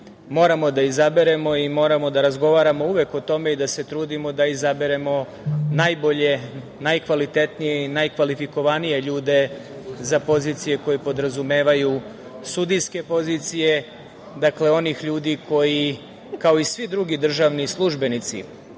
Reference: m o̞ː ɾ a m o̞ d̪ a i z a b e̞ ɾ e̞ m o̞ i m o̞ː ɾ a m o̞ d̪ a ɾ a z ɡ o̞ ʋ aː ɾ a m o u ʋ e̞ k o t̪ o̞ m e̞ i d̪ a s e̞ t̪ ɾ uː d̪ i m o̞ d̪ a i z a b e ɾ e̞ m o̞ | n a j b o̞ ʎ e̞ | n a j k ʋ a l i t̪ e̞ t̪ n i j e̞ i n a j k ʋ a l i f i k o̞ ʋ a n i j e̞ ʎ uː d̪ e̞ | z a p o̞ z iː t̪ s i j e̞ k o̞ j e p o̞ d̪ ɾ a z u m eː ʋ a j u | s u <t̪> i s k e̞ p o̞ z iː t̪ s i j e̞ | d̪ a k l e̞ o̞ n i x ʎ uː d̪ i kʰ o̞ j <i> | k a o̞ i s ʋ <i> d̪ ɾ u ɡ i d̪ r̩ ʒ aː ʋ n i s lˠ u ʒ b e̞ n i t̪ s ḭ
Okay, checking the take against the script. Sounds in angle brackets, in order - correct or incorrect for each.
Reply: incorrect, correct, correct

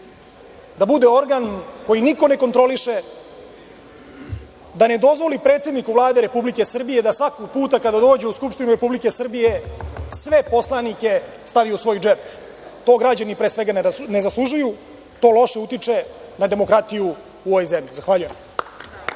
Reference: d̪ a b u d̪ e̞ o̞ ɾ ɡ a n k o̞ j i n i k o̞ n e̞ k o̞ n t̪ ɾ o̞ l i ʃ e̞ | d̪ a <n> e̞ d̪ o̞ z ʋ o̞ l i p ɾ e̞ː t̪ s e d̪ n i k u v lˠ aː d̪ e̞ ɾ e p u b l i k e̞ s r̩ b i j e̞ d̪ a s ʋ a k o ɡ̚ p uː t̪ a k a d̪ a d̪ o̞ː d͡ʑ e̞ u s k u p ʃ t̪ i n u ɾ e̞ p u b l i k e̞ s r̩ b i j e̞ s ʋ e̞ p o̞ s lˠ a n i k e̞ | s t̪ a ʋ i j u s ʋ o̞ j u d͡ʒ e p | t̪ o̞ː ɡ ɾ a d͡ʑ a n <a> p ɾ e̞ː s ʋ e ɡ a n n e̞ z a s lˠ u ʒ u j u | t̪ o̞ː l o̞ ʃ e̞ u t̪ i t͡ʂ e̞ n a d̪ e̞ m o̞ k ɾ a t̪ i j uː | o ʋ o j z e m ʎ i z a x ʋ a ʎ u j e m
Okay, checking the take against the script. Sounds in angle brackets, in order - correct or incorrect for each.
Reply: correct, incorrect

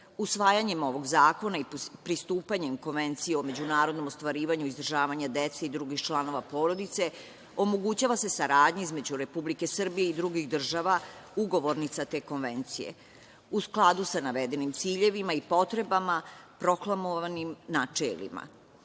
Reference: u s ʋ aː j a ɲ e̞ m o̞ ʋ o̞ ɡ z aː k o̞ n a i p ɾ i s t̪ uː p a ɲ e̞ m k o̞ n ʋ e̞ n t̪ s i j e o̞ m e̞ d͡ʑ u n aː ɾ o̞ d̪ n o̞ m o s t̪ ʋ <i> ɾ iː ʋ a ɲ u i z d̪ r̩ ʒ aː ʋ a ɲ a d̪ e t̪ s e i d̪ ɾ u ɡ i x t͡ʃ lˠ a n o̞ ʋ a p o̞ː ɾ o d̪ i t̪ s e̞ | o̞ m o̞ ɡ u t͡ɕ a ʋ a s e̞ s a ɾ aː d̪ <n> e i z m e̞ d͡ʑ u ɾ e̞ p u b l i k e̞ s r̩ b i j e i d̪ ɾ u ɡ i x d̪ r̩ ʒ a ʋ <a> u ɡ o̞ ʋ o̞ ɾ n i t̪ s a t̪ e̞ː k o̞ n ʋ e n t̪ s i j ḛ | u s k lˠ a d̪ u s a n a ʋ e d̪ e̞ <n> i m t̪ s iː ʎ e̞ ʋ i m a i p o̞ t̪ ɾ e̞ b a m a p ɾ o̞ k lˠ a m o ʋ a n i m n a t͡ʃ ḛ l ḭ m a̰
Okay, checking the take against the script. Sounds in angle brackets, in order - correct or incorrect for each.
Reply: incorrect, incorrect, correct, correct

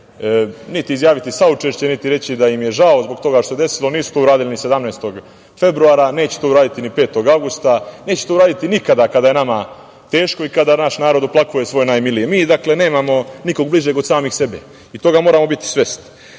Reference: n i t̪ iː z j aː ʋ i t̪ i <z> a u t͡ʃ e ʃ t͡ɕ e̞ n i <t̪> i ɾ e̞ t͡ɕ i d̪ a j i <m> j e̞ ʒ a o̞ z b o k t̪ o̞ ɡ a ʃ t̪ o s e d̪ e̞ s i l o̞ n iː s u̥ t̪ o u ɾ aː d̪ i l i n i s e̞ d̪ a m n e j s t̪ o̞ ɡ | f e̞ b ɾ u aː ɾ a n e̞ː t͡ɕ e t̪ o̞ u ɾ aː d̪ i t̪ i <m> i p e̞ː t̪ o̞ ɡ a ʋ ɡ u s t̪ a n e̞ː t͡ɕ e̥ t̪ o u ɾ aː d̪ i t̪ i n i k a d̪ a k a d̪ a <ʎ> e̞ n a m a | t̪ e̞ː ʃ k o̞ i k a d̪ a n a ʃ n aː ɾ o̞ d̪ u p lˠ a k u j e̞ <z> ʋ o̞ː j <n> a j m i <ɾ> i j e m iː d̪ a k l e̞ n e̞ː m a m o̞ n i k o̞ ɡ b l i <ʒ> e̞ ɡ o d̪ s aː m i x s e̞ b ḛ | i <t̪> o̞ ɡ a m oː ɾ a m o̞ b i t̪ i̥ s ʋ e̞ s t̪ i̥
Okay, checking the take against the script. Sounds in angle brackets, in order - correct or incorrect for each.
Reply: incorrect, correct, correct, incorrect, incorrect, incorrect, correct, incorrect, correct, correct

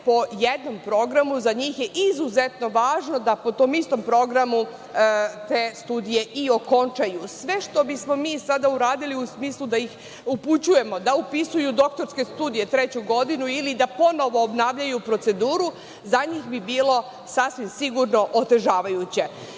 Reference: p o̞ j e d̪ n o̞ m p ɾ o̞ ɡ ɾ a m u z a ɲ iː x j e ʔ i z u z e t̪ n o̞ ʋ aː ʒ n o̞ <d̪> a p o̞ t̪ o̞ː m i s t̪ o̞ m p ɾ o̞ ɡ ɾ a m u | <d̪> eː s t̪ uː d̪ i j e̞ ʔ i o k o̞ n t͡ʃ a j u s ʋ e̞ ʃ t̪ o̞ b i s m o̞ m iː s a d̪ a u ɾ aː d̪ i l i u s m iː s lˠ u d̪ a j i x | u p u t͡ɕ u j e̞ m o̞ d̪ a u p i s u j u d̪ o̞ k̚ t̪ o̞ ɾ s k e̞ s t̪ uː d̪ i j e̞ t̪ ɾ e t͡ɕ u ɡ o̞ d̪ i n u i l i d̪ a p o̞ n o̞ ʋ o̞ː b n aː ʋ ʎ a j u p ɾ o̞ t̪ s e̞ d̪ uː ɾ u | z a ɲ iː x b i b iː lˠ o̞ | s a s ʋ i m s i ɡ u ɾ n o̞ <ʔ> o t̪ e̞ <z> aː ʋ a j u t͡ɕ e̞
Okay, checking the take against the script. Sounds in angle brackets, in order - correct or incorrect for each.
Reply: correct, incorrect, correct, incorrect

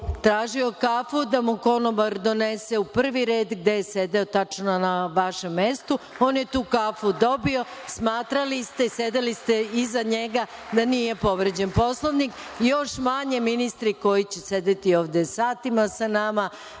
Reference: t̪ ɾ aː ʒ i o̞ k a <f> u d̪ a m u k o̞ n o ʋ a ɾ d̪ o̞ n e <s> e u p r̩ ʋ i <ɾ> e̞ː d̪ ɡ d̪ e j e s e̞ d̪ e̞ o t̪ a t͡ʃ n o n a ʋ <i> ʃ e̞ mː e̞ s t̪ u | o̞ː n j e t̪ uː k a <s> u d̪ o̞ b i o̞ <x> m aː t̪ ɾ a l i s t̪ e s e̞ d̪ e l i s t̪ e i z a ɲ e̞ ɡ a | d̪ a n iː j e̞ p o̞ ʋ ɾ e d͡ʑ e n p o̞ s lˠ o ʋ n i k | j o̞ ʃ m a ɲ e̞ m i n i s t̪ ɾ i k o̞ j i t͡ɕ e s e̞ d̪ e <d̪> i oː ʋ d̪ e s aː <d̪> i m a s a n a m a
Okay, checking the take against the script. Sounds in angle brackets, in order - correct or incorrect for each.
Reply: correct, correct, correct, incorrect, incorrect, incorrect, incorrect, incorrect

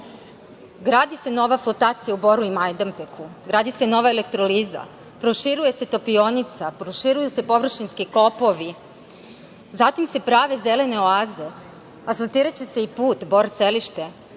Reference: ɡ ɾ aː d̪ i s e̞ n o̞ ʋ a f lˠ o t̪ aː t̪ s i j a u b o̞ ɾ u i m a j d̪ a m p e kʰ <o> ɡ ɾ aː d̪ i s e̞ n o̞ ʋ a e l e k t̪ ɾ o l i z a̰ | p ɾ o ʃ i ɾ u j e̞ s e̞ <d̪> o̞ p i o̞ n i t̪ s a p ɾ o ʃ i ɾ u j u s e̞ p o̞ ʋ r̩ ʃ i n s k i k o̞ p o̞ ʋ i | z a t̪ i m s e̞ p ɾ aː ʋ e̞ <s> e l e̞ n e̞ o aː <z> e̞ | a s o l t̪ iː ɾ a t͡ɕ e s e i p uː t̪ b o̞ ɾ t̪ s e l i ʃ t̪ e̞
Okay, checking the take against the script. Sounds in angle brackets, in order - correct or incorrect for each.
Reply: incorrect, incorrect, incorrect, correct

